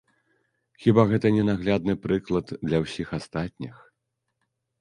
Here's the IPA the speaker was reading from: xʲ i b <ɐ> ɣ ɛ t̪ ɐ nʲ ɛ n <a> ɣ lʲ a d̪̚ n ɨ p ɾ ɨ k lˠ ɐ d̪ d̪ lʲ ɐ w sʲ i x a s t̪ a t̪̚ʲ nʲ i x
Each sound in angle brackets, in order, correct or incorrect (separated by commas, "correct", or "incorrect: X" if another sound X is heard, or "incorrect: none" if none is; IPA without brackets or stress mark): incorrect: a, correct